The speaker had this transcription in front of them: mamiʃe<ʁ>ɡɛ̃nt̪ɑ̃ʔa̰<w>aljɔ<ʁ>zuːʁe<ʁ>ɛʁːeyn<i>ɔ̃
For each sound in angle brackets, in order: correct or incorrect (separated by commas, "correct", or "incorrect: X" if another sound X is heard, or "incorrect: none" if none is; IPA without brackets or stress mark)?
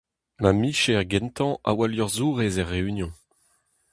correct, correct, correct, incorrect: z, incorrect: j